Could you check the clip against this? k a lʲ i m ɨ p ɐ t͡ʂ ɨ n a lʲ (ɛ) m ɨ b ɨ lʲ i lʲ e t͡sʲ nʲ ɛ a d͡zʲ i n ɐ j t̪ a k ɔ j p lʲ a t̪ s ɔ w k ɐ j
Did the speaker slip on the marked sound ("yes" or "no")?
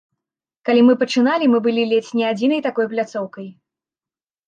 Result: yes